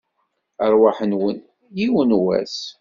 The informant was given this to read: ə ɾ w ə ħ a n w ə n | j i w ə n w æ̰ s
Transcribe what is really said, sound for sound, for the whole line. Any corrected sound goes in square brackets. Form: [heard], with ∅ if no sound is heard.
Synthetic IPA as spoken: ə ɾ w [a] ħ [ə] n w ə n | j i w ə n w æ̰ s

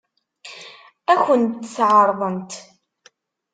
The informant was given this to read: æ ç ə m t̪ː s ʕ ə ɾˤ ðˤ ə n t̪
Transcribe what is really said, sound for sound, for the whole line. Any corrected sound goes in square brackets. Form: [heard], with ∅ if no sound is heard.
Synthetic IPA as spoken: æ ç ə [n] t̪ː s ʕ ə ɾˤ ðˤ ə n t̪

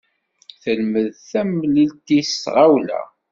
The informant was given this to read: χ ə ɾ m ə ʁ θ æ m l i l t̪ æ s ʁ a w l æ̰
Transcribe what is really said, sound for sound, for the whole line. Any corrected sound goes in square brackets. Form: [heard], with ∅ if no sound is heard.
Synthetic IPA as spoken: [θ] ə [l] m ə [ð] θ æ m l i l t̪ [i] s ʁ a w l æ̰

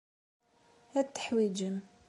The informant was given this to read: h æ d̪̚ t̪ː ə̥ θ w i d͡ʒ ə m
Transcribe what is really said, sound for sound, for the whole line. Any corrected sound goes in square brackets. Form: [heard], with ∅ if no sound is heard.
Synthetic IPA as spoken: h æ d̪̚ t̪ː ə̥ [ħ] w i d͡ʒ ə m

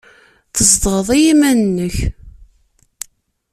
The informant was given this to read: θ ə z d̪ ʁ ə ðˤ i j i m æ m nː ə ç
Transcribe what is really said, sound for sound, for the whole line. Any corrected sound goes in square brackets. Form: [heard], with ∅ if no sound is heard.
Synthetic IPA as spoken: θ ə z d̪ ʁ ə ðˤ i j i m æ [n] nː ə ç

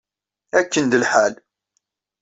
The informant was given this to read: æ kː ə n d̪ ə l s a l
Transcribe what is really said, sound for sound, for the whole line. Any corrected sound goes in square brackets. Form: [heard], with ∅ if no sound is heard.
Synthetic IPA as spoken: æ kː ə n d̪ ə l [ħ] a l

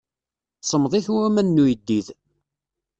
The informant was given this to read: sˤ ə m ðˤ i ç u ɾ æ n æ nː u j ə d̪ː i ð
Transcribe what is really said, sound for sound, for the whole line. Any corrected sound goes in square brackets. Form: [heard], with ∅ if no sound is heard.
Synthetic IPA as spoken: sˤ ə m ðˤ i ç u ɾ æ [m] æ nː u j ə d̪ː i ð

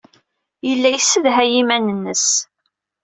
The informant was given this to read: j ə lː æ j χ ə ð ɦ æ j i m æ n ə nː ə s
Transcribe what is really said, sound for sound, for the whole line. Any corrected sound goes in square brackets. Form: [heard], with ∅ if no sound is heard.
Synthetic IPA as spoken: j ə lː æ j [s] ə ð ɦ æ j i m æ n ə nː ə s

